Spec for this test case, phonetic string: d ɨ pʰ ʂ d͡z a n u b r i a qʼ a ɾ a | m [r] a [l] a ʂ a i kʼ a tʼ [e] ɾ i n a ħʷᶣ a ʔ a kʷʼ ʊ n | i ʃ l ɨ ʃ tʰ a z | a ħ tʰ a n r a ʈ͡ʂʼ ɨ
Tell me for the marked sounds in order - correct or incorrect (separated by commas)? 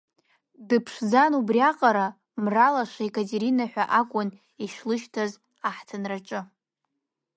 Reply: correct, correct, correct